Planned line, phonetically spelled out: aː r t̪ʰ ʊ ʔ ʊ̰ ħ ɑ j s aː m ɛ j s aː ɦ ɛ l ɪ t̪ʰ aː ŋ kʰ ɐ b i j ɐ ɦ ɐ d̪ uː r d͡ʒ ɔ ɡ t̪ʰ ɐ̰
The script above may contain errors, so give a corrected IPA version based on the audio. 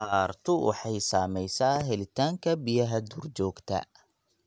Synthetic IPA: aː r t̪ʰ ʊ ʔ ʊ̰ ħ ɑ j s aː m ɛ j s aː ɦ ɛ l ɪ t̪ʰ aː ŋ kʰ ɐ b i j ɐ ɦ ɐ d̪ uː r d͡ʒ ɔː ɡ t̪ʰ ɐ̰